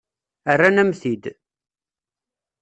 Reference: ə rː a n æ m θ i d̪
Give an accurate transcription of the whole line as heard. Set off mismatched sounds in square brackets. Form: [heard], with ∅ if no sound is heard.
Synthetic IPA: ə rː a n æ m θ i d̪